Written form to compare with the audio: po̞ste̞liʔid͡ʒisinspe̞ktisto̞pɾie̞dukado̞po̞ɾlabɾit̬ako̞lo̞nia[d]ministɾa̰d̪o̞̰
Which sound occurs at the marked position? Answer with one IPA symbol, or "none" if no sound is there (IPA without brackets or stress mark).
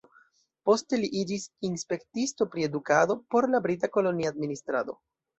d